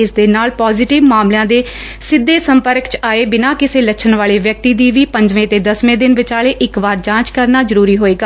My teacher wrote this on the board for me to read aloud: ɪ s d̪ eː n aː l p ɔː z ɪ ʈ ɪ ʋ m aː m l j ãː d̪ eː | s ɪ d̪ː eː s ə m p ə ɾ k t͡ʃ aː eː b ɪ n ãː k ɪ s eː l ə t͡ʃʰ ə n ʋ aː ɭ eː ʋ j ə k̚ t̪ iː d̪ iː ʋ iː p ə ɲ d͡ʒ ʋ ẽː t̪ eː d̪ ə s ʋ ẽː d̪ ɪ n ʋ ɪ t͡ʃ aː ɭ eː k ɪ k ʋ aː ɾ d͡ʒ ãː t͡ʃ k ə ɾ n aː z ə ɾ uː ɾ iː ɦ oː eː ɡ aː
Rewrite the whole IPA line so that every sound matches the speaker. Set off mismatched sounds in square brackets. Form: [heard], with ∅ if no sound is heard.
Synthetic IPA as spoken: ɪ s d̪ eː n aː l p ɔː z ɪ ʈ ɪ ʋ m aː m l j ãː d̪ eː | s ɪ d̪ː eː s ə m p ə ɾ k t͡ʃ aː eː b ɪ n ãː k ɪ s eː l ə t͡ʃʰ ə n ʋ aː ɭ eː ʋ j ə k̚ t̪ iː d̪ iː ʋ iː p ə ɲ d͡ʒ ʋ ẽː t̪ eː d̪ ə s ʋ ẽː d̪ ɪ n ʋ ɪ t͡ʃ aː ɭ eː [ʔ] ɪ k ʋ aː ɾ d͡ʒ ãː t͡ʃ k ə ɾ n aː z ə ɾ uː ɾ iː ɦ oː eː ɡ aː